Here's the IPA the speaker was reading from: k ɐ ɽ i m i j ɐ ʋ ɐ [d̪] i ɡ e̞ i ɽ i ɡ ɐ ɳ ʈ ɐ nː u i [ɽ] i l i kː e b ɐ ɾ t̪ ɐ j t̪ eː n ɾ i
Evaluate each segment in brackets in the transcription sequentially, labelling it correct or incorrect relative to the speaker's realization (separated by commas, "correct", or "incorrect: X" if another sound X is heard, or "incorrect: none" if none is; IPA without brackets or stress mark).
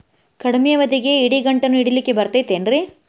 correct, correct